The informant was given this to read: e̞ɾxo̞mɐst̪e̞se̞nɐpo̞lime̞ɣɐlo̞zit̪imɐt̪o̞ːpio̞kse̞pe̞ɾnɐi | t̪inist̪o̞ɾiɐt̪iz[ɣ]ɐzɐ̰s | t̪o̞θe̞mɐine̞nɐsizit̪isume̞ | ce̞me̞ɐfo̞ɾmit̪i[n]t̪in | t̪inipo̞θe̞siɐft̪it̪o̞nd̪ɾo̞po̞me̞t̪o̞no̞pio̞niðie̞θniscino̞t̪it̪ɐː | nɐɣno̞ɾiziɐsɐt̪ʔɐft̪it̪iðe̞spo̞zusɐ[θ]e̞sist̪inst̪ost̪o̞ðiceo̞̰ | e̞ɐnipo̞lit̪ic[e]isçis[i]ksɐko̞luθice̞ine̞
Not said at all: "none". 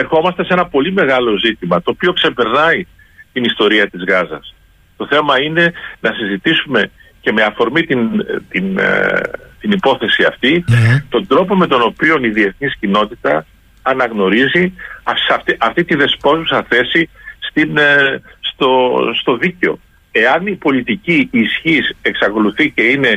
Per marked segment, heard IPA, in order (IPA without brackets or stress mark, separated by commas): ɣ, n, θ, i, e